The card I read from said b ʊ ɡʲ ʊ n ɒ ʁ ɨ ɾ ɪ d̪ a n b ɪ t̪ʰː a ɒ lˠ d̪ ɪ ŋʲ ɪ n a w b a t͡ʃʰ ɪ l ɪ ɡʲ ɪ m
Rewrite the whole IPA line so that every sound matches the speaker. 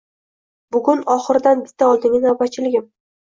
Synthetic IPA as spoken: b ʊ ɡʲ ʊ n ɒ χ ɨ ɾ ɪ d̪ a n b ɪ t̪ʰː a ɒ lˠ d̪ ɪ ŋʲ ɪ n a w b a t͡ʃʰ ɪ l ɪ ɡʲ ɪ m